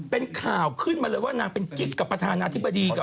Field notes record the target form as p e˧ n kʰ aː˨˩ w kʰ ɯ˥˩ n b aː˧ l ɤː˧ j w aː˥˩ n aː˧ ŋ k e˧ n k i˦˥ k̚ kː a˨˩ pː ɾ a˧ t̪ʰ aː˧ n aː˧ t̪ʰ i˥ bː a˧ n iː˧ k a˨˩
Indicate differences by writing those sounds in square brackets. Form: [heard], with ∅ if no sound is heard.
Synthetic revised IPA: p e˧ n kʰ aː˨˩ w kʰ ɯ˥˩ n [m] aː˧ l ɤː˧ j w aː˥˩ n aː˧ ŋ [p] e˧ n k i˦˥ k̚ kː a˨˩ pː ɾ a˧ t̪ʰ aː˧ n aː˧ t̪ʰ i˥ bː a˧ [d] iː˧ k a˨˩